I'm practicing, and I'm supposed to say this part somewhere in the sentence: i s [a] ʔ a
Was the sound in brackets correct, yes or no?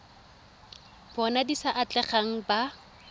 yes